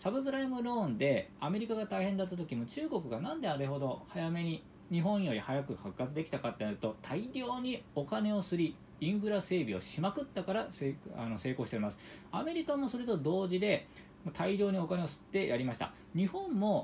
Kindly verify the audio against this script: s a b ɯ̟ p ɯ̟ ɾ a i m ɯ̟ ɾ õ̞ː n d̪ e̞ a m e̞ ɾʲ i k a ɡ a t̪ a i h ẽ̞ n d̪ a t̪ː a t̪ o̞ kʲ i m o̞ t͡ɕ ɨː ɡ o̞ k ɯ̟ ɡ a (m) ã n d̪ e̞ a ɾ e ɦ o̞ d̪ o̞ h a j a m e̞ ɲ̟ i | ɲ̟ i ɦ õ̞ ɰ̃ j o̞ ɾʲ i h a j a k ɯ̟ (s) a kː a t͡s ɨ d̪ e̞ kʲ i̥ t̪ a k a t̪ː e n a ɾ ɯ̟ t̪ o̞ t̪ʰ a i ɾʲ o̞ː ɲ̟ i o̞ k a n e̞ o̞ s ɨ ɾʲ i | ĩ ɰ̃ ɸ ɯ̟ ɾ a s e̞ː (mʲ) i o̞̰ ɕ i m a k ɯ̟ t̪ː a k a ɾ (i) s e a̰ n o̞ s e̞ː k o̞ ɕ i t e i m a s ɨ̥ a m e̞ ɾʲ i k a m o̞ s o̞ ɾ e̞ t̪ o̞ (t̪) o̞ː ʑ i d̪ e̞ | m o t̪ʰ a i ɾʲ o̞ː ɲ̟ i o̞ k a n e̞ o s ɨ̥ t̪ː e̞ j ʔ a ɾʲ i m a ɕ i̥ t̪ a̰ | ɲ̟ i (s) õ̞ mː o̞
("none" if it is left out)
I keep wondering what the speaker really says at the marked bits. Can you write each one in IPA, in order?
n, h, bʲ, a, d̪, h

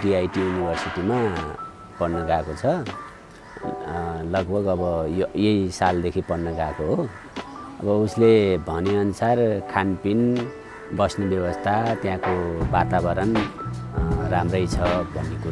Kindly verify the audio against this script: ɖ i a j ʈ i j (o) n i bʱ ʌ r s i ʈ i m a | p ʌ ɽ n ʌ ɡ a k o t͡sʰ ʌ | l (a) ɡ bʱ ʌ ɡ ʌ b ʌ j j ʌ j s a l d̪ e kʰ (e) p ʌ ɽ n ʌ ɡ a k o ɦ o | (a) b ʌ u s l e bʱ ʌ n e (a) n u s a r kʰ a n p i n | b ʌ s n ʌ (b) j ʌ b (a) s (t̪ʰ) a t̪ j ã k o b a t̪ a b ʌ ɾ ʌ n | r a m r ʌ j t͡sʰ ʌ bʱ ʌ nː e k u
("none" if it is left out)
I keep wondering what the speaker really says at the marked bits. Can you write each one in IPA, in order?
u, ʌ, i, ʌ, ʌ, b, ʌ, t̪ʰ

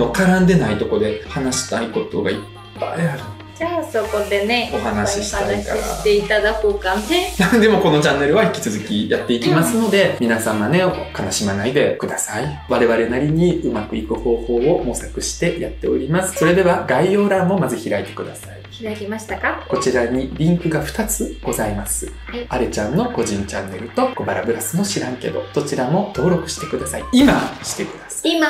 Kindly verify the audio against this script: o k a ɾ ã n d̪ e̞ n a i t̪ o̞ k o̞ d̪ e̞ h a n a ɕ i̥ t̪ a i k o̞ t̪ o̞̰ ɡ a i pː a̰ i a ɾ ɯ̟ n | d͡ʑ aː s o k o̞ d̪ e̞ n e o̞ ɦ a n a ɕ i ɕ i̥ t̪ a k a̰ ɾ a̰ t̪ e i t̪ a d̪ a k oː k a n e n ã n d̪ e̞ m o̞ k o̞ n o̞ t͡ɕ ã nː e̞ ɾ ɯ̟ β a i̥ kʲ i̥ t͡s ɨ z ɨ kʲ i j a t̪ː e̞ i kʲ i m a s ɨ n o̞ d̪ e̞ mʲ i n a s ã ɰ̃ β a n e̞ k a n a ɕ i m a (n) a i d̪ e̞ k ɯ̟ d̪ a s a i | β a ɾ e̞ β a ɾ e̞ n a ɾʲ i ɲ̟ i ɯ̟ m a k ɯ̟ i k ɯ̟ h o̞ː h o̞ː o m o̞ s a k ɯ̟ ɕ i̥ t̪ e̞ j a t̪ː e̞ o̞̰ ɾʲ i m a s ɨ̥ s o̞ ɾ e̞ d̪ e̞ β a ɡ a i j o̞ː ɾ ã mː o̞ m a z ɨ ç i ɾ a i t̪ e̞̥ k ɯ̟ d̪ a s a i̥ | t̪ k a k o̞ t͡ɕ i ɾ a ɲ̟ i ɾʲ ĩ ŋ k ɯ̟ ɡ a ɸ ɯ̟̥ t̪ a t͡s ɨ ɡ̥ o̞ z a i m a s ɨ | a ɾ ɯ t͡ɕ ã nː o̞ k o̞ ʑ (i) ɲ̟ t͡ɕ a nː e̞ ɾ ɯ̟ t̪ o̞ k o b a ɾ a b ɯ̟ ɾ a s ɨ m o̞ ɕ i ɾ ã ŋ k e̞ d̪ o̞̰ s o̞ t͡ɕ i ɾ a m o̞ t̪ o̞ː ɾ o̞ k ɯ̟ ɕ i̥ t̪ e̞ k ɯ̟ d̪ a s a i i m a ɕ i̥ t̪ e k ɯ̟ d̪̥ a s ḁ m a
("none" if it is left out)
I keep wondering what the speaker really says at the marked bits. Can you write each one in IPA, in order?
n, ĩ

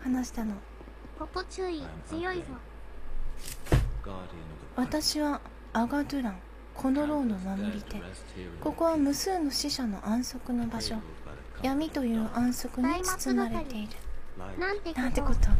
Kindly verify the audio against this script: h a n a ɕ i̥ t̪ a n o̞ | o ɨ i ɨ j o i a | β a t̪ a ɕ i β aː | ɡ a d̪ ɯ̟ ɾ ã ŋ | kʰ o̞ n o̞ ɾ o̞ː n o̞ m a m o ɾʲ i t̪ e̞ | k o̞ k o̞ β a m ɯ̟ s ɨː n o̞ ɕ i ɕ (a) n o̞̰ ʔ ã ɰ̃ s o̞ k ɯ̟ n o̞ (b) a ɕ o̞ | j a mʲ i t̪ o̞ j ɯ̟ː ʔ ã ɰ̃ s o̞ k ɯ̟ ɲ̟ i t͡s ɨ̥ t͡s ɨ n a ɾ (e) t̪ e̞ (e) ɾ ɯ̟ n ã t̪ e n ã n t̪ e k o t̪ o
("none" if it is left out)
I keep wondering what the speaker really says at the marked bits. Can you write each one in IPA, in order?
a, b, e, i

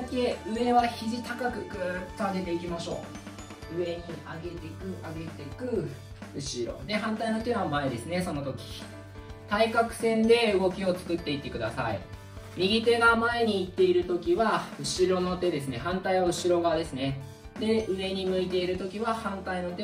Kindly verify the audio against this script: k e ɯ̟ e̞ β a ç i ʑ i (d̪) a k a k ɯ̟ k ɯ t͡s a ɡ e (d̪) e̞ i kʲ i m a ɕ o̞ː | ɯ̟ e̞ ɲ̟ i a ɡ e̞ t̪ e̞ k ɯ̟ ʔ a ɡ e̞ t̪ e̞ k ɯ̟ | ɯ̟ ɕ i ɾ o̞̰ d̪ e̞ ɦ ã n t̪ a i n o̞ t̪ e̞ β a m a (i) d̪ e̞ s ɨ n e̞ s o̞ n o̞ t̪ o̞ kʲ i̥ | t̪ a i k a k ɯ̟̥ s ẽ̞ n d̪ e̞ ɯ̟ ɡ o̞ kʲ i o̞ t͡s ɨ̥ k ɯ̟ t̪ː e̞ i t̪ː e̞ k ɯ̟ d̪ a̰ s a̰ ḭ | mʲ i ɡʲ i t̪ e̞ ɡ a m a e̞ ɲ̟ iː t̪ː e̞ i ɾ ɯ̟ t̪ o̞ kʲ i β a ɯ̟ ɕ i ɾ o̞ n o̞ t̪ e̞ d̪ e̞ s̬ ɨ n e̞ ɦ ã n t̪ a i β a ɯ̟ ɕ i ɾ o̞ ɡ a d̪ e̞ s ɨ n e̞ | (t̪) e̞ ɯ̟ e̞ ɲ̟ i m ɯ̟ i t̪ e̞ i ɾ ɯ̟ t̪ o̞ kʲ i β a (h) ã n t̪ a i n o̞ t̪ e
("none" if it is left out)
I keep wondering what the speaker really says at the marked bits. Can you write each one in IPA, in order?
t̪, t̪, e, d̪, h

